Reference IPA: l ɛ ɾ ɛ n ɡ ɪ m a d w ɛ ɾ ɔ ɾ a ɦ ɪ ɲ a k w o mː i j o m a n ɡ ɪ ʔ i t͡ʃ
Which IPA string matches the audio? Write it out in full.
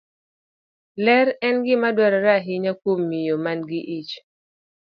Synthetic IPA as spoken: l ɛ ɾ ɛ n ɡ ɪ m a d w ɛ ɾ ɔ ɾ a ɦ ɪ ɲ a k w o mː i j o m a n ɡ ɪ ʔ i t͡ʃ

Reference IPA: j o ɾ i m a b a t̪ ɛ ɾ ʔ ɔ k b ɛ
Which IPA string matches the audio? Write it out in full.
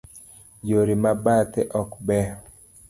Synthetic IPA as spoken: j o ɾ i m a b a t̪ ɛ ʔ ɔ k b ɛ

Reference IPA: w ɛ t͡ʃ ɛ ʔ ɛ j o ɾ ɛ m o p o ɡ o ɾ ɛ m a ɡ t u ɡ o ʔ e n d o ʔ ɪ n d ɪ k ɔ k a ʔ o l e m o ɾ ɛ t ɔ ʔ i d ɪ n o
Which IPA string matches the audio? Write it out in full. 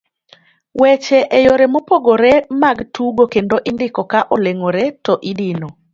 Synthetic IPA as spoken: w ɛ t͡ʃ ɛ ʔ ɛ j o ɾ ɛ m o p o ɡ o ɾ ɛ m a ɡ t u ɡ o k e n d o ʔ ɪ n d ɪ k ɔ k a ʔ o l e ŋ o ɾ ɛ t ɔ ʔ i d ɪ n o

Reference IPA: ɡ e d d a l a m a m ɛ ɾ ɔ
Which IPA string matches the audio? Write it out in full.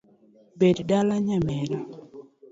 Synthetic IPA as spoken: b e d d a l a ɲ a m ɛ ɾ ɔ

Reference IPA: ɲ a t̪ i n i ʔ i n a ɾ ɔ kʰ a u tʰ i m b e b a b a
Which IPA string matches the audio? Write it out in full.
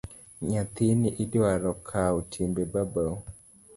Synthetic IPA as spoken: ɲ a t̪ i n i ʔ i d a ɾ ɔ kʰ a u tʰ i m b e b a b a

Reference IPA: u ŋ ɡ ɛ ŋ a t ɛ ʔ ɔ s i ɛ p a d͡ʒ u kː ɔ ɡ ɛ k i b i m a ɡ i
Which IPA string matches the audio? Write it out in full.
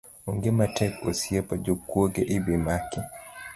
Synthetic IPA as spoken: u ŋ ɡ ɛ m a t ɛ k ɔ s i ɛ p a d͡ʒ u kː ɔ ɡ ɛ ʔ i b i m a k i

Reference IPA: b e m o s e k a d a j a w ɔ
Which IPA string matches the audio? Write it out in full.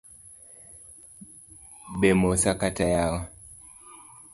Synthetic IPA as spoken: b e m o s a k a t a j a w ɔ

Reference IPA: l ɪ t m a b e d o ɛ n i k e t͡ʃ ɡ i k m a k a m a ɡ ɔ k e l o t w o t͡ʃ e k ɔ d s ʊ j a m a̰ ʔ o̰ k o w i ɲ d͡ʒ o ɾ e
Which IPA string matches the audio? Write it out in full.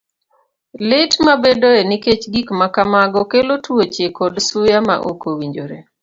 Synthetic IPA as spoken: l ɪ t m a b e d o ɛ n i k e t͡ʃ ɡ i k m a k a m a ɡ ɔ k e l o t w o t͡ʃ e k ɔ d s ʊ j a m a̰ ʔ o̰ k o w i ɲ d͡ʒ o ɾ e

